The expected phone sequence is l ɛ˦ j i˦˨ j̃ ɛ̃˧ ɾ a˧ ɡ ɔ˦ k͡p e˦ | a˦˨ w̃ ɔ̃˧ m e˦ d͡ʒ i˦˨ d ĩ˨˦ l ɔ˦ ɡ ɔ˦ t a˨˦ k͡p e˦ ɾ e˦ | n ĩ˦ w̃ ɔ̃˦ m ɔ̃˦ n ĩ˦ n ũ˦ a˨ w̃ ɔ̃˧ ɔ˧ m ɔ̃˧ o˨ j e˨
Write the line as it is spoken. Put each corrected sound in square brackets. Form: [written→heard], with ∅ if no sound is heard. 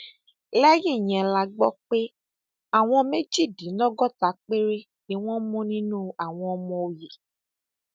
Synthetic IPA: l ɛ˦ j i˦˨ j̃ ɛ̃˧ [ɾ→l] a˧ [ɡ→ɡ͡b] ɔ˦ k͡p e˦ | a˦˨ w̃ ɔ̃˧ m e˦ d͡ʒ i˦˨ d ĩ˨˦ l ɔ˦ ɡ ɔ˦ t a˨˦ k͡p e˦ ɾ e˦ | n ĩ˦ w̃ ɔ̃˦ m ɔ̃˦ n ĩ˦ n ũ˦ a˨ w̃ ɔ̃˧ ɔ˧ m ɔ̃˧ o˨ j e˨